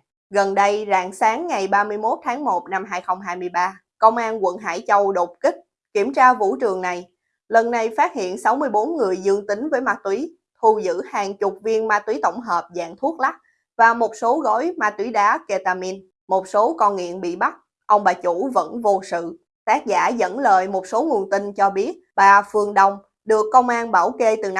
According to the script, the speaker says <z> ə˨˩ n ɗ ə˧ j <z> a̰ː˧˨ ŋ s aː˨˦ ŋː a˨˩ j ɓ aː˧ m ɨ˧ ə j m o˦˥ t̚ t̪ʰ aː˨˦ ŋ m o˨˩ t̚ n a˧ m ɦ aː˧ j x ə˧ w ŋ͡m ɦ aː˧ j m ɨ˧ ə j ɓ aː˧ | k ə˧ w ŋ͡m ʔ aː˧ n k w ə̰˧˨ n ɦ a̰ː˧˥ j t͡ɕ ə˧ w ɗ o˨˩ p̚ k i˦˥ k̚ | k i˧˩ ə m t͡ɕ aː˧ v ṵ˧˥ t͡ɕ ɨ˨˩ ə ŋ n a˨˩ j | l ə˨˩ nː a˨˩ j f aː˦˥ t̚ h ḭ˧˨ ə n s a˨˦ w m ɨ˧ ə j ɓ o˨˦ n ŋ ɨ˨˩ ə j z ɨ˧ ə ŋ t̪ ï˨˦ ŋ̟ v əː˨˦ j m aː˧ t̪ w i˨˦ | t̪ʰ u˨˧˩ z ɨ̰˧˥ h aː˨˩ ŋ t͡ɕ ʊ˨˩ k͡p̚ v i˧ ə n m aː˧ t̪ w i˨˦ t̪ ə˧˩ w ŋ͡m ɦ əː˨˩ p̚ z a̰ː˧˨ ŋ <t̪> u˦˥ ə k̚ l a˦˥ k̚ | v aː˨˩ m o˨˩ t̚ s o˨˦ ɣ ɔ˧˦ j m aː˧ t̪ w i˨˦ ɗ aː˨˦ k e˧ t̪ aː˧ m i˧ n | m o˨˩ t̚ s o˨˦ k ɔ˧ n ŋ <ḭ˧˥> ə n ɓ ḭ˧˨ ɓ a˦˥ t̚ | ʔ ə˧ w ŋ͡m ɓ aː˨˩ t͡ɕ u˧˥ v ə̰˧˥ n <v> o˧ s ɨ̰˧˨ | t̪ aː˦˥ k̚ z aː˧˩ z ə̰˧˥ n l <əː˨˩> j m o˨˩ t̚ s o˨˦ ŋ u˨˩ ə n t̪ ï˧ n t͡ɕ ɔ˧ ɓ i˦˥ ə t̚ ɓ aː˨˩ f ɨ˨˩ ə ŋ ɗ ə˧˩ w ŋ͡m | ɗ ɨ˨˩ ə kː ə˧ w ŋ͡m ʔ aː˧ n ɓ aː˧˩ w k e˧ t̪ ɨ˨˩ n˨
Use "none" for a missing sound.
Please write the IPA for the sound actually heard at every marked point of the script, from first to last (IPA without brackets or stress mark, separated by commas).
ɣ, z, t̪ʰ, ḭ˧˨, v, əː˨˩